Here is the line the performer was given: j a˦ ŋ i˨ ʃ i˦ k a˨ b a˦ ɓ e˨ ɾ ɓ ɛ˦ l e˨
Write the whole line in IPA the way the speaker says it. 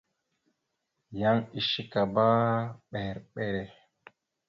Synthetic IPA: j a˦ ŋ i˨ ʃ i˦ k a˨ b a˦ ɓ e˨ ɾ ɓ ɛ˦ ɾ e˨